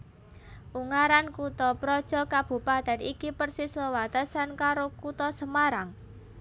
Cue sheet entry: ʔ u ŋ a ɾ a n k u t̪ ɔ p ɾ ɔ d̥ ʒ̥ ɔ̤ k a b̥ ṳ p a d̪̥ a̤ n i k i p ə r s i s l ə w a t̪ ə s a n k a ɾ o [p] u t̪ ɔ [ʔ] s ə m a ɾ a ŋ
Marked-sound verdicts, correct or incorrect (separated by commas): incorrect, incorrect